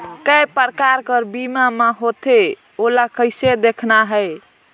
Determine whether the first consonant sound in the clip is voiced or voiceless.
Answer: voiceless